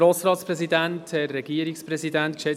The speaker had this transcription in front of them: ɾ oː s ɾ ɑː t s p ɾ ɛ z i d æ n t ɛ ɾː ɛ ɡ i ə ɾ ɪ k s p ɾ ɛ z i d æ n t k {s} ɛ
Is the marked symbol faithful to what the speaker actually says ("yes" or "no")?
no